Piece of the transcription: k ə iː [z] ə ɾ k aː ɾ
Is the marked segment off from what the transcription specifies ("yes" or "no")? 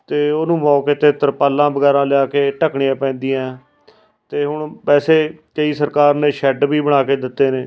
yes